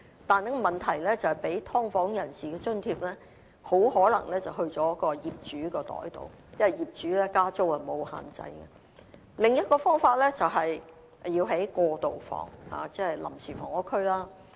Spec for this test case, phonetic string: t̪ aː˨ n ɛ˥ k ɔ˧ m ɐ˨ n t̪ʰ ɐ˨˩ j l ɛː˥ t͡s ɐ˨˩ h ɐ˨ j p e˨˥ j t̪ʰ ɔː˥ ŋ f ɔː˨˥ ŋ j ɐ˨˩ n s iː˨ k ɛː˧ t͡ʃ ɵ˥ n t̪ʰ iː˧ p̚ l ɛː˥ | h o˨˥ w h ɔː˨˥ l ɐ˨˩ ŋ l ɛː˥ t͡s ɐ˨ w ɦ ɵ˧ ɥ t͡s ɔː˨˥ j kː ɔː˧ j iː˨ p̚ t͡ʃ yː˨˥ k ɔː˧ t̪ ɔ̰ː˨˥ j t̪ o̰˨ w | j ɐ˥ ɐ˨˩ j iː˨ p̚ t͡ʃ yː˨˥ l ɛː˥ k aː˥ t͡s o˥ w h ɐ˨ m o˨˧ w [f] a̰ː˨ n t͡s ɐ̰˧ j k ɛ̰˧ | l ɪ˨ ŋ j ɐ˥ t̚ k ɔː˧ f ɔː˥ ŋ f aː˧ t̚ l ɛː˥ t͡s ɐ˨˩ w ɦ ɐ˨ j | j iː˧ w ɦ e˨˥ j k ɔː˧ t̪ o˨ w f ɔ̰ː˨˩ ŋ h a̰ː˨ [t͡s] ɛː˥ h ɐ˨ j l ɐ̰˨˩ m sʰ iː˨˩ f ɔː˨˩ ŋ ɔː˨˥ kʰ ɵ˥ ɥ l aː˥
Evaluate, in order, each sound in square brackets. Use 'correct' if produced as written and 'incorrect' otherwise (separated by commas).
incorrect, correct